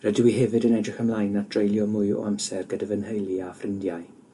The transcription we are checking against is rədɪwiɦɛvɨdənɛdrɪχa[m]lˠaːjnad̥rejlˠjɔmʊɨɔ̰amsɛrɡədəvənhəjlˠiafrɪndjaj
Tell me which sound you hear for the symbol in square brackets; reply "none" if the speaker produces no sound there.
m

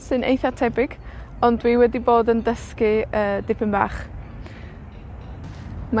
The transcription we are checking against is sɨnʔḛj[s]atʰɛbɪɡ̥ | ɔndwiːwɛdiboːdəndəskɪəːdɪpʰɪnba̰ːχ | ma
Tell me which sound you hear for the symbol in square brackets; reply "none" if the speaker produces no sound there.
θ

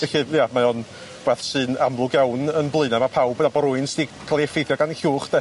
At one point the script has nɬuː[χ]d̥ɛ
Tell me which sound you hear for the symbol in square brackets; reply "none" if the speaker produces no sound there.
χ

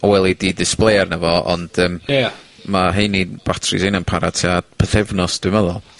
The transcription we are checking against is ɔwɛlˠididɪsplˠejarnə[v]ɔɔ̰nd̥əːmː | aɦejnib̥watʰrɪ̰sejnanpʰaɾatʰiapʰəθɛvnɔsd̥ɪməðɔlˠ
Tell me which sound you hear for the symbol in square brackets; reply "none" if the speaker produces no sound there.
v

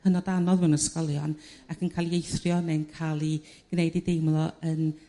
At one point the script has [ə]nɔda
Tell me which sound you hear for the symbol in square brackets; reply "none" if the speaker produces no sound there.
ə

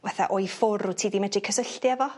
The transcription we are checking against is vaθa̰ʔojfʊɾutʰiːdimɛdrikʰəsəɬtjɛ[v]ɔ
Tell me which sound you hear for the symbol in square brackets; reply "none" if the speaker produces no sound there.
v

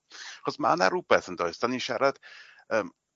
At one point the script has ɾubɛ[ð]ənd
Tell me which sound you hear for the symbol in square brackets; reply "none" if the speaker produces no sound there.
θ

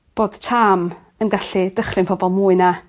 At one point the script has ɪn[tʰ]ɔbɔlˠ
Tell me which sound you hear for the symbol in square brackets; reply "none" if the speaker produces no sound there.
pʰ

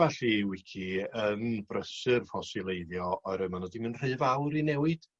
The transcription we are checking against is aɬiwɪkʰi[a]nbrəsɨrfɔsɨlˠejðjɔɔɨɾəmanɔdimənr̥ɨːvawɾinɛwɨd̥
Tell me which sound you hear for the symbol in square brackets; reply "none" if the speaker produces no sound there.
ə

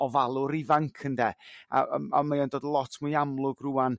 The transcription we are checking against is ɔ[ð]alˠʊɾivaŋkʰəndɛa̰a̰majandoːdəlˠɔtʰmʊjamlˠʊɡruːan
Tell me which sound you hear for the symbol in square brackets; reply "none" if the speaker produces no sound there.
v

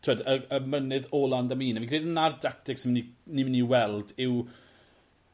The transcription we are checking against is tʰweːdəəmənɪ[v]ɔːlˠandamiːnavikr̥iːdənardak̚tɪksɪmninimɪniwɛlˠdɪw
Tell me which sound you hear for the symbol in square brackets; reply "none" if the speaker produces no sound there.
ð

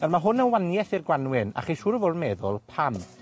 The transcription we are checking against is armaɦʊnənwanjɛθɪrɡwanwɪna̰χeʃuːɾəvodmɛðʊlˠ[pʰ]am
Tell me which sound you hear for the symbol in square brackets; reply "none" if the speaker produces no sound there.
pʰ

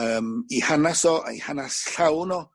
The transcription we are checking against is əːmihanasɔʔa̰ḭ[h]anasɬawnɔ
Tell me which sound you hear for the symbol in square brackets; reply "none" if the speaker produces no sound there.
h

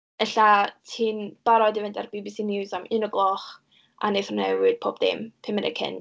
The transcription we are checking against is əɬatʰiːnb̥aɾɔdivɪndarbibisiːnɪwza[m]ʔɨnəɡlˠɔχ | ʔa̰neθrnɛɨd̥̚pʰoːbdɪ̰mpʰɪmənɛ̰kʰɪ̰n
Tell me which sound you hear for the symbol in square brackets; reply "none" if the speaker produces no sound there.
m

